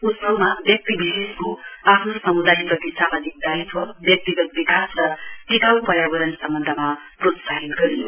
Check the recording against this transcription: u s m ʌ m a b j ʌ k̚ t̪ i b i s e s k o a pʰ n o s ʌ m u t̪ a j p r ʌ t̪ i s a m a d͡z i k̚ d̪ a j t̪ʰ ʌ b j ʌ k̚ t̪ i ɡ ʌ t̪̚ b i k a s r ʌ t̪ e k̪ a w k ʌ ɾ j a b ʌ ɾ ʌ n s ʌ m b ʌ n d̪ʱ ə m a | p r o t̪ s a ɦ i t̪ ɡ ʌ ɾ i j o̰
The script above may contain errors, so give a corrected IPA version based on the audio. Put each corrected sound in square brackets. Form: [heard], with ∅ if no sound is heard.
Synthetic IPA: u s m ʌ m a b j ʌ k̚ t̪ i b i s e s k o a pʰ n o s ʌ m u [d̪] a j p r ʌ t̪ i s a m a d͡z i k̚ d̪ a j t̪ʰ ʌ b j ʌ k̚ t̪ i ɡ ʌ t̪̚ b i k a s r ʌ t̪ [i] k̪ a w [p] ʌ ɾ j a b ʌ ɾ ʌ n s ʌ m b ʌ n d̪ʱ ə m a | p r o t̪ s a ɦ i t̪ ɡ ʌ ɾ i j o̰